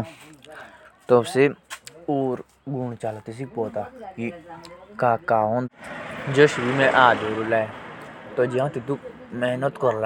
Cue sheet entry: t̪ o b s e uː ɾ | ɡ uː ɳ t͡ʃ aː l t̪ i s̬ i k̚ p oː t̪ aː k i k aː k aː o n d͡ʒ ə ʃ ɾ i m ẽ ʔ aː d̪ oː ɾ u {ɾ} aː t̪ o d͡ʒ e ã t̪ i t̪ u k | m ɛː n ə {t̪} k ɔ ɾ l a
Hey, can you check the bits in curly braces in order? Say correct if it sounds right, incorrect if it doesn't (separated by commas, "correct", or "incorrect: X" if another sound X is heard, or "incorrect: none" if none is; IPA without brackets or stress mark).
incorrect: l, correct